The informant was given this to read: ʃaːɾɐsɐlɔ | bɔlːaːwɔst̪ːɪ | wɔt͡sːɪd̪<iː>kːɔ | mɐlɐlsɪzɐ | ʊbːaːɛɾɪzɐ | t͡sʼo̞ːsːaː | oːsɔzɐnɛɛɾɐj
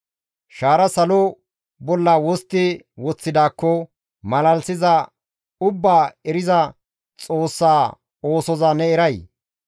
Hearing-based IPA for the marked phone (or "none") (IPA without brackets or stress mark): aː